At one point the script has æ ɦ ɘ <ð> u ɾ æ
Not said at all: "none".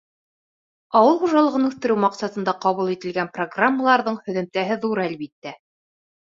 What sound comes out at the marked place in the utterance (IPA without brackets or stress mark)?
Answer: ð